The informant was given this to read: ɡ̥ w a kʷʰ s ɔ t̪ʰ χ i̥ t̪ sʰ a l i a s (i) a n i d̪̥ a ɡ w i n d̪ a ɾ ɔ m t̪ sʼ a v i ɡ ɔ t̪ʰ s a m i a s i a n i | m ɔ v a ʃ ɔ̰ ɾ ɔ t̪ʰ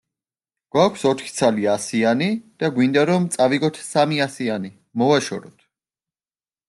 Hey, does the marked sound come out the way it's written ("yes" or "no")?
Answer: yes